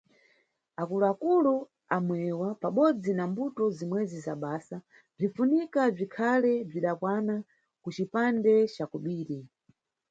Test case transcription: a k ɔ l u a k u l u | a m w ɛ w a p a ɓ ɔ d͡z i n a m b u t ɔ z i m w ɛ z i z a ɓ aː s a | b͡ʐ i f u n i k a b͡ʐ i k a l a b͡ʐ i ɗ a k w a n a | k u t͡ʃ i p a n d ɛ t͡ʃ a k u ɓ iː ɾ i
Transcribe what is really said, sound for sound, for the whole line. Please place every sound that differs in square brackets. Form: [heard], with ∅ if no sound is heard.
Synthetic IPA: a k [u] l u a k u l u | a m w ɛ w a p a ɓ ɔ d͡z i n a m b u t ɔ z i m w ɛ z i z a ɓ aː s a | b͡ʐ i f u n i k a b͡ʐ i [kʰ] a l [ɛ] b͡ʐ i ɗ a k w a n a | k u t͡ʃ i p a n d ɛ t͡ʃ a k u ɓ iː ɾ i